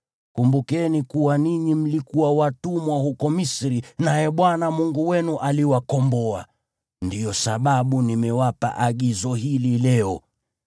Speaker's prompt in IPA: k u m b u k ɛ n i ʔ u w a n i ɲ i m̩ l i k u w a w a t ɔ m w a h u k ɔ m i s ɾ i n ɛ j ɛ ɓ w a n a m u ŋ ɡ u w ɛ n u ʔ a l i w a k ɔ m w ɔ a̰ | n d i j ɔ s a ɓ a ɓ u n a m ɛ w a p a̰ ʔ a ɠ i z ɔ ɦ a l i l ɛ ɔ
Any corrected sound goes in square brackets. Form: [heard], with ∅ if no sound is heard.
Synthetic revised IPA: k u m b u k ɛ n i [k] u w a n i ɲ i m̩ l i k u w a w a t [u] m w a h u k ɔ m i s ɾ i n [a] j ɛ ɓ w a n a m u ŋ ɡ u w ɛ n u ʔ a l i w a k ɔ m [b] ɔ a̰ | n d i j ɔ s a ɓ a ɓ u n [i] m ɛ w a p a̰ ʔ a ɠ i z ɔ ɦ [i] l i l ɛ ɔ